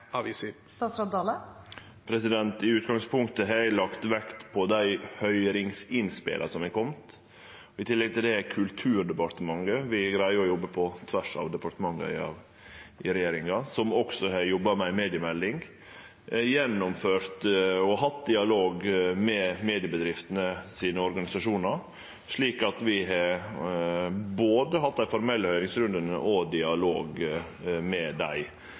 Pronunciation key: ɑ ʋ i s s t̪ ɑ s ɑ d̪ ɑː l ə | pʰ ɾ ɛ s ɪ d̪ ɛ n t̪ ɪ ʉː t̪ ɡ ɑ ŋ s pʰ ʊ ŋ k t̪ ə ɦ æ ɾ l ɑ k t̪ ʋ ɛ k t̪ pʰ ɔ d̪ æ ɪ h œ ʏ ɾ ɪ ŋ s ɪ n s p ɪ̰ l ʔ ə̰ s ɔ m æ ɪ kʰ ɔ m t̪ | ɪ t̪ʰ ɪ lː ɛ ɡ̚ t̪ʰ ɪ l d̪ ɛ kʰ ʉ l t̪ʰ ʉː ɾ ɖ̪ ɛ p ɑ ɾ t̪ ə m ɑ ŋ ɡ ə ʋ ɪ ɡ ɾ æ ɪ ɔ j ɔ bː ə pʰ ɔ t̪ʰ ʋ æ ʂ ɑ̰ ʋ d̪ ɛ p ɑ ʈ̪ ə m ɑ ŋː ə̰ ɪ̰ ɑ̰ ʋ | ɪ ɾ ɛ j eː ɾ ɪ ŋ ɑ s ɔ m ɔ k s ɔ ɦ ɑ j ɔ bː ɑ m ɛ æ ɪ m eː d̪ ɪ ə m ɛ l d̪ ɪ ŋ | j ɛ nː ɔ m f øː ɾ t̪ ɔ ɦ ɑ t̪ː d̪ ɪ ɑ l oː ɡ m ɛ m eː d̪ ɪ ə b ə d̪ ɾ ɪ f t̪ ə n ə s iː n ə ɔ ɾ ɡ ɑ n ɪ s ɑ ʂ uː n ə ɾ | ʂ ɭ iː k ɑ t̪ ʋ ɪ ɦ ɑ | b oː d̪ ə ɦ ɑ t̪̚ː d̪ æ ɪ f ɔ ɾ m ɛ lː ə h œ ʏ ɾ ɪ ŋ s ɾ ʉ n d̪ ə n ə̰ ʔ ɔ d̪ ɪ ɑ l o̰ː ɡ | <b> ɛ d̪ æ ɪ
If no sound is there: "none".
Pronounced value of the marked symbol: m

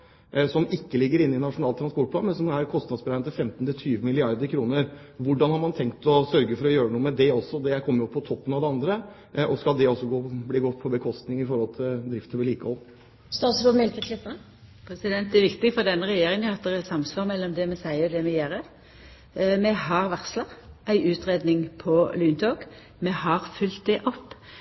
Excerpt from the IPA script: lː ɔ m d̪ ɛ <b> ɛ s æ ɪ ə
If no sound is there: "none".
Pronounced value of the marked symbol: m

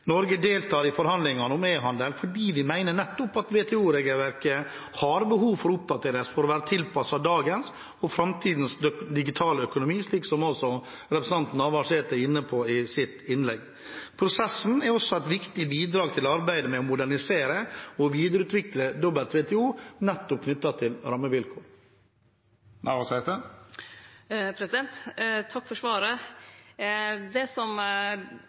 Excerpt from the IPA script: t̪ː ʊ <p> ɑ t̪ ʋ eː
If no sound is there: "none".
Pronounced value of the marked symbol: p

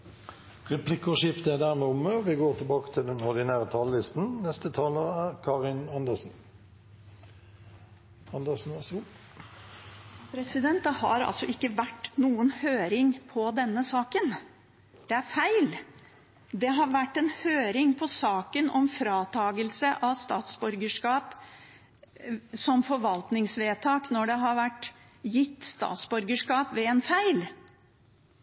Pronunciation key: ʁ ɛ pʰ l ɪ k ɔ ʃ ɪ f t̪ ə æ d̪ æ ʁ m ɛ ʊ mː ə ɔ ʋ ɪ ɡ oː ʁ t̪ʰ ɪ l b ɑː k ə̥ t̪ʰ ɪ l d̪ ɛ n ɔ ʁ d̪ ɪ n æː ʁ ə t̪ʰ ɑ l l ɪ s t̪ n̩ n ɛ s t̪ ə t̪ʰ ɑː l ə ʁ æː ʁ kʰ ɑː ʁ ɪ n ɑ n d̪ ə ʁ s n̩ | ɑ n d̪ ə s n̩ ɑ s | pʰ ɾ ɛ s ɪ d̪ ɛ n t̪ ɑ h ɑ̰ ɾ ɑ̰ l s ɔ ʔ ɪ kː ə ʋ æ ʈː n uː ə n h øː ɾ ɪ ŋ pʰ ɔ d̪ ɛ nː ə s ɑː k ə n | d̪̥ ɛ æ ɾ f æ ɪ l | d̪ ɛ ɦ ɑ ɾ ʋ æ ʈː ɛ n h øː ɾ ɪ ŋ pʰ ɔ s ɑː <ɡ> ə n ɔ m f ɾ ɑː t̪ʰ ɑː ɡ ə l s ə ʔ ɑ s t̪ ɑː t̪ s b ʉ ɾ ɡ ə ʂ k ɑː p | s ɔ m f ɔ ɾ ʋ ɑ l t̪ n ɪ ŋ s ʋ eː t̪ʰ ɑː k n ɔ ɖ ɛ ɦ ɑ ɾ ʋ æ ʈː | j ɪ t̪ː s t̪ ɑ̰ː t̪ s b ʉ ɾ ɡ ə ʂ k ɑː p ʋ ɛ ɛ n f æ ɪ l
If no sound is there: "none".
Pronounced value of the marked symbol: k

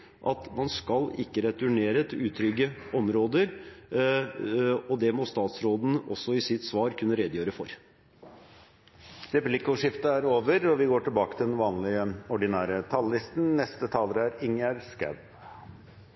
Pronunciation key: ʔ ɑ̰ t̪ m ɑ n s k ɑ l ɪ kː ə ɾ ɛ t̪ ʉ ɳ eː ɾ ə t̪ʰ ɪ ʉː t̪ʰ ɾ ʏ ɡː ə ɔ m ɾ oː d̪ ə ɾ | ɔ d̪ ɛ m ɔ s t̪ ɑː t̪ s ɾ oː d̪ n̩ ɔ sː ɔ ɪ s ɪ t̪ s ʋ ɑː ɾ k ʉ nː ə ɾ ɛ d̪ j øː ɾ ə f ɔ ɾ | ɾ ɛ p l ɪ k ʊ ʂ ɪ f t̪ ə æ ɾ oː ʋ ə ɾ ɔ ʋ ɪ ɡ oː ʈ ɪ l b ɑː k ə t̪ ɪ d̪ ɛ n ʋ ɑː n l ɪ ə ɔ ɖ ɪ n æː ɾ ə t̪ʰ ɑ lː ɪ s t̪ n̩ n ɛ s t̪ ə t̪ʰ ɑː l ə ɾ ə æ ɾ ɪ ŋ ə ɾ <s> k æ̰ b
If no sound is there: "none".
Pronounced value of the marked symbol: s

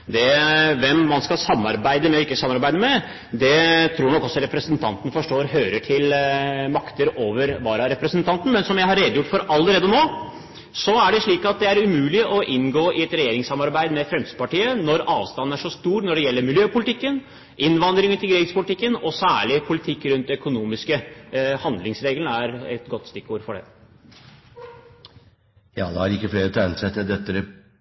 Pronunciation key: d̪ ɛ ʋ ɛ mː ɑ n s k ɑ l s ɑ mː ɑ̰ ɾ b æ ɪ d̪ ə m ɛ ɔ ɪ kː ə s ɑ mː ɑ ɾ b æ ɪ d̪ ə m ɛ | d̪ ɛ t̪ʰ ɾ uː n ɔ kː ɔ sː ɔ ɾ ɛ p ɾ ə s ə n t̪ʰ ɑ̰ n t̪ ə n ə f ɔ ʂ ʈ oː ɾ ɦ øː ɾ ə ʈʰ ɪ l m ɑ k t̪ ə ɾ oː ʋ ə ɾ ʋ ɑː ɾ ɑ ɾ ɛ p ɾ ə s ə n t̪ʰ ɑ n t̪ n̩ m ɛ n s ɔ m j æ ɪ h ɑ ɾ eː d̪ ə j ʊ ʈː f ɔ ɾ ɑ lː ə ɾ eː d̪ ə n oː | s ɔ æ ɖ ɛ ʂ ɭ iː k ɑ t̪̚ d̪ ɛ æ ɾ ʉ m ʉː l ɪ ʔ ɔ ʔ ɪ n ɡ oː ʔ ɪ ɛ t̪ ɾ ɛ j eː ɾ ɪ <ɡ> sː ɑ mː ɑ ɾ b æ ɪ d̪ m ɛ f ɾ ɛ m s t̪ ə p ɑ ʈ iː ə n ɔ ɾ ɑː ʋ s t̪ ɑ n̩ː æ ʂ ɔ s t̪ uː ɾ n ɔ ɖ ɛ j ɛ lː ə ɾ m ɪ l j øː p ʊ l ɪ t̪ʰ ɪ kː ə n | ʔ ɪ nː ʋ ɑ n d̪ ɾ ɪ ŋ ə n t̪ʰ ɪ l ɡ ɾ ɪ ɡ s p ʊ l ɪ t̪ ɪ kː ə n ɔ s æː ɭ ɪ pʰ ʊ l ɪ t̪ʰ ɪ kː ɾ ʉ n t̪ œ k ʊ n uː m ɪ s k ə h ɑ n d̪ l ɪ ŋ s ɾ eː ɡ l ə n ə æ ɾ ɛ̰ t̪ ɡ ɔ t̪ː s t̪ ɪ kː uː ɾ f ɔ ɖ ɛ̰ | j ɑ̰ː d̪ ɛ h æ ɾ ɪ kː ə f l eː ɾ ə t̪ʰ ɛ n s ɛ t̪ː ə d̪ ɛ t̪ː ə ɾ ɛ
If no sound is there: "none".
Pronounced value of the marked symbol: ŋ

